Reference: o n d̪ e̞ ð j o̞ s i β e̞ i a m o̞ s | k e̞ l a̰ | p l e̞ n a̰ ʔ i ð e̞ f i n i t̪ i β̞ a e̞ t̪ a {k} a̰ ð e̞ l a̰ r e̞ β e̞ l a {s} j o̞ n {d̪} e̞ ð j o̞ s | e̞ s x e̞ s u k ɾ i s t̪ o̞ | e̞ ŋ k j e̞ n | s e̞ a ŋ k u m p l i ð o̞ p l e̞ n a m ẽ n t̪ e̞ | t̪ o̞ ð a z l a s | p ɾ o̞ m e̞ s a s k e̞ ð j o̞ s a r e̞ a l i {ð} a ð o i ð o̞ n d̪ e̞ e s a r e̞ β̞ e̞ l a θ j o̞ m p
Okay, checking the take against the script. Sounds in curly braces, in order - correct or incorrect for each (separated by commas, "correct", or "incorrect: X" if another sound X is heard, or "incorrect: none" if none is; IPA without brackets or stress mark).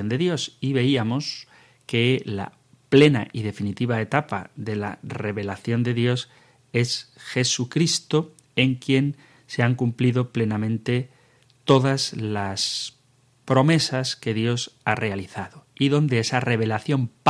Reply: incorrect: p, incorrect: θ, correct, incorrect: θ